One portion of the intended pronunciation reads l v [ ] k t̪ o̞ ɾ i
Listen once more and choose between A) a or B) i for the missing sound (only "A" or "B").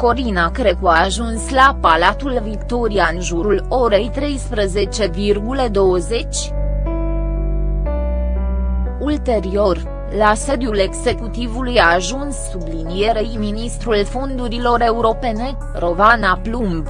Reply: B